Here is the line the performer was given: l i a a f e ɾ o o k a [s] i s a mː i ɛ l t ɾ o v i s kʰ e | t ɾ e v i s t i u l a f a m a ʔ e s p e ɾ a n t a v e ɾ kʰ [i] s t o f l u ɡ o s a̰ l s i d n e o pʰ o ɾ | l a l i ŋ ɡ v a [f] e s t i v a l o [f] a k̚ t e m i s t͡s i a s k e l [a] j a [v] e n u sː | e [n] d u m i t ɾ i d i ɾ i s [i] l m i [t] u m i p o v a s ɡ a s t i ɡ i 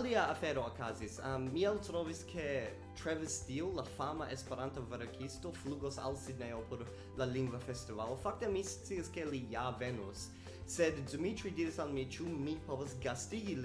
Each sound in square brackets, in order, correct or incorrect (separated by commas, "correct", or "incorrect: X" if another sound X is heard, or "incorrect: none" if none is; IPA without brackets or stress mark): incorrect: z, correct, correct, correct, incorrect: i, correct, incorrect: d, incorrect: a, incorrect: t͡ʃ